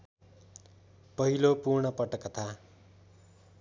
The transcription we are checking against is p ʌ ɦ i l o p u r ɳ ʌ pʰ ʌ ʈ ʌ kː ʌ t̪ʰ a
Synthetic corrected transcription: p ʌ ɦ i l o p u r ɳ ʌ p ʌ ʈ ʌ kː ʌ t̪ʰ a